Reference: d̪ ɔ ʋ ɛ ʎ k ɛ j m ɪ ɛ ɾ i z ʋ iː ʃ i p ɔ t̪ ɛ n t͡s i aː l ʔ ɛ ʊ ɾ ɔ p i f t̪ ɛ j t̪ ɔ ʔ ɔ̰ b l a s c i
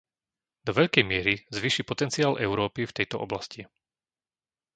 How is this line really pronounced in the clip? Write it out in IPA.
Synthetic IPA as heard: d̪ ɔ ʋ ɛ ʎ k ɛ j m ɪ ɛ ɾ i z ʋ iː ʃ i p ɔ t̪ ɛ n t͡s i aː l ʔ ɛ ʊ ɾ ɔː p i f t̪ ɛ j t̪ ɔ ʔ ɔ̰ b l a s c i